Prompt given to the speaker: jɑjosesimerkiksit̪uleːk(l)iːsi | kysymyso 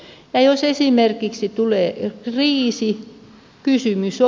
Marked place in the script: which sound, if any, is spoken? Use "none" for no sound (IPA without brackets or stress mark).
r